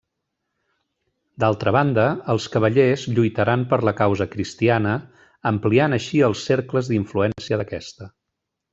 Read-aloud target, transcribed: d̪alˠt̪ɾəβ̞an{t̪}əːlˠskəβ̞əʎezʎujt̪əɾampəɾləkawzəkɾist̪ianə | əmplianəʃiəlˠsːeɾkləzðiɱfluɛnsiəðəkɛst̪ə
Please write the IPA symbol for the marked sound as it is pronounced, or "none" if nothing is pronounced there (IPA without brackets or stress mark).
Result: d̪